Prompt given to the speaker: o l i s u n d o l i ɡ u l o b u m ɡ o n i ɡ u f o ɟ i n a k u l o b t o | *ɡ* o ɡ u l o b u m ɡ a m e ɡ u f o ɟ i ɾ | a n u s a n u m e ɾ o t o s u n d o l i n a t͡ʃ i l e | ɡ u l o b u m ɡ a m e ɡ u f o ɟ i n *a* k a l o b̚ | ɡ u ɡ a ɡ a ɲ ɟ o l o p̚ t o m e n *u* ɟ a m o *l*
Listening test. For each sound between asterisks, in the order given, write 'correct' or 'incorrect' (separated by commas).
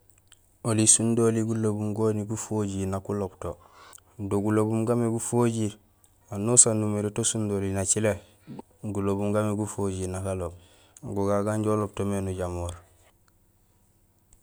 incorrect, correct, correct, incorrect